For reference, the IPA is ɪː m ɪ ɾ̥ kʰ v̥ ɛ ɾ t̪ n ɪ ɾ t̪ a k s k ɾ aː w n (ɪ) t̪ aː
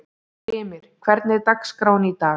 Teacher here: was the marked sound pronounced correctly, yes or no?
no